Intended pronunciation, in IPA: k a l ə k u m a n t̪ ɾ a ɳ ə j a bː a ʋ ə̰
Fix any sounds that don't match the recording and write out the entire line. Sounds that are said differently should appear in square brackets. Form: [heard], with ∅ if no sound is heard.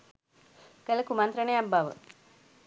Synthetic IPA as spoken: k [ə] l ə k u m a n t̪ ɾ [ə] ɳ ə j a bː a ʋ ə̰